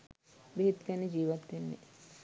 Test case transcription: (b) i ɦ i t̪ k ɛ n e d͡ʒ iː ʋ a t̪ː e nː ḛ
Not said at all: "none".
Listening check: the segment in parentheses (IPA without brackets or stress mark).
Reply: b